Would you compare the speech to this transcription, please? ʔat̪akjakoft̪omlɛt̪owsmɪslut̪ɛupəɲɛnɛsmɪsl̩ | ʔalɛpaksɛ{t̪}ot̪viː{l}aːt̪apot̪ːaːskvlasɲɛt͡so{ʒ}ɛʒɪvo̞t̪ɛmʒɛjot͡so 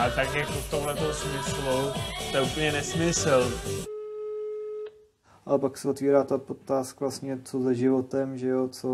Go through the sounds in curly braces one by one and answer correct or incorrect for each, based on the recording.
incorrect: none, incorrect: ɾ, incorrect: z

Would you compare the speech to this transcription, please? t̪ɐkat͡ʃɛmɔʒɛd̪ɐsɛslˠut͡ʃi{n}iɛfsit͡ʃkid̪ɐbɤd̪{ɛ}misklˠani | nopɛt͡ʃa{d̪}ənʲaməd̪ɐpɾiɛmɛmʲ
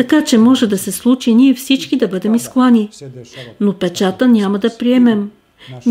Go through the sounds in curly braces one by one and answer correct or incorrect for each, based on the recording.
correct, correct, incorrect: t̪

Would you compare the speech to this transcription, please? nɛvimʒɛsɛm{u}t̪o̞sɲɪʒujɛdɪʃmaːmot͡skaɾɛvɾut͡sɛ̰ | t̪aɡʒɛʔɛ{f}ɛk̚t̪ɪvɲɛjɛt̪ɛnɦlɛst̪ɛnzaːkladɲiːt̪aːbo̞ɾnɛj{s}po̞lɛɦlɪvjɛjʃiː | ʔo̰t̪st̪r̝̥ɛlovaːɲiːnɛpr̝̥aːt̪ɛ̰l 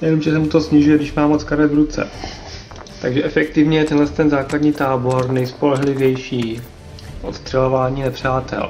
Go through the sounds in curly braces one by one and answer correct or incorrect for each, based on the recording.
correct, correct, correct

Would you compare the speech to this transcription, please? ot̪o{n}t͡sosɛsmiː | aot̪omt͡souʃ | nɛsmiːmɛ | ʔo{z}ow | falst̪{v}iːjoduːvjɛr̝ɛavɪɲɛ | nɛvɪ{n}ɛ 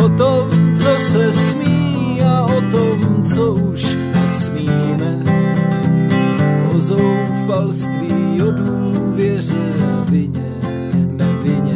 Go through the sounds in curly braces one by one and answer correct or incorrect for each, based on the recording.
incorrect: m, correct, correct, incorrect: ɲ

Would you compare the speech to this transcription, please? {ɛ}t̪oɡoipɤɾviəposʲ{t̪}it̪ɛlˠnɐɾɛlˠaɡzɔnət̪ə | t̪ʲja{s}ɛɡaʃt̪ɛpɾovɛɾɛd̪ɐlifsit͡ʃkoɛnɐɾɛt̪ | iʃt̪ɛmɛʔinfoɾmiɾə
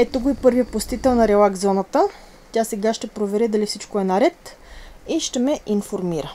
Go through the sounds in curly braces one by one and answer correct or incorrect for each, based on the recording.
correct, correct, correct

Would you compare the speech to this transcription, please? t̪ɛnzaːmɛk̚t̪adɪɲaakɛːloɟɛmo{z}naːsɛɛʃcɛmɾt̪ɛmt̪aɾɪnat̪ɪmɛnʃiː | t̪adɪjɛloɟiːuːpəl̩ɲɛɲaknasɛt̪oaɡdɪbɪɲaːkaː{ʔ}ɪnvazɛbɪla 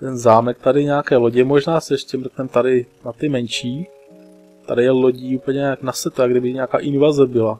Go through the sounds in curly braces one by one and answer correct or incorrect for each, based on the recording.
incorrect: ʒ, correct

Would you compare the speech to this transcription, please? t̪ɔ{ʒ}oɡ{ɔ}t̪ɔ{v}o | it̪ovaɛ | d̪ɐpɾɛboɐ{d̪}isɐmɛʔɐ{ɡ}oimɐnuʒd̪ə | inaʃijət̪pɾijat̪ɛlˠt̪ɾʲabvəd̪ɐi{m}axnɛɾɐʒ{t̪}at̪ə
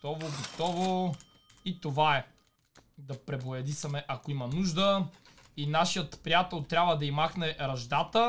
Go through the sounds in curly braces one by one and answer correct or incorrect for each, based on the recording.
incorrect: v, incorrect: o, correct, correct, incorrect: k, correct, incorrect: d̪

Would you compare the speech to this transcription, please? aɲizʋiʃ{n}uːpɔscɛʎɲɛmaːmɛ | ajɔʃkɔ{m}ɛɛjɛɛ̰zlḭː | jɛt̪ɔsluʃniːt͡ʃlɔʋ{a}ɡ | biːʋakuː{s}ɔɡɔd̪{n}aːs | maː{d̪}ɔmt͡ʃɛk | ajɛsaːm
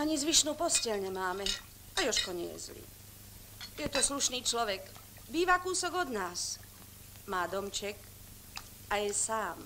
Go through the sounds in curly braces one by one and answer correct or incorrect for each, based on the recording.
correct, incorrect: ɲ, incorrect: ɛ, correct, correct, correct

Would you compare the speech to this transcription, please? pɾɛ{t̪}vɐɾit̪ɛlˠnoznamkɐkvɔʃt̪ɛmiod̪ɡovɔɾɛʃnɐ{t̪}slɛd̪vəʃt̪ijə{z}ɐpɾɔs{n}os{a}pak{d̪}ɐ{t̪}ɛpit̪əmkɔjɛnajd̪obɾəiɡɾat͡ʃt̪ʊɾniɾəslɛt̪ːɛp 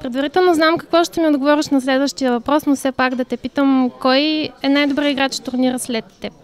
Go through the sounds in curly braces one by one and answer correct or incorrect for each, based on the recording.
incorrect: d̪, incorrect: none, incorrect: v, correct, incorrect: ɛ, correct, correct

